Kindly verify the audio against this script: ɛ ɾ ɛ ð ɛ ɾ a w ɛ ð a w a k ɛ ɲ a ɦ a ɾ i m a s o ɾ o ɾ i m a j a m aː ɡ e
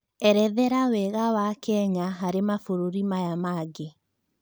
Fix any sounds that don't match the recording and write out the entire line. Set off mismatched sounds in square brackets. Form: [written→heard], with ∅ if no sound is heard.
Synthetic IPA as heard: ɛ ɾ ɛ ð ɛ ɾ a w ɛ [ð→ɣ] a w a k ɛ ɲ a ɦ a ɾ [i→e] m a [s→f] o ɾ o ɾ i m a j a m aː ɡ e